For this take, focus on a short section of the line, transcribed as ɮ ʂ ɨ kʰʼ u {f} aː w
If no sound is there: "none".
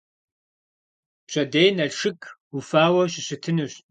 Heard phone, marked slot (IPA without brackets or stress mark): f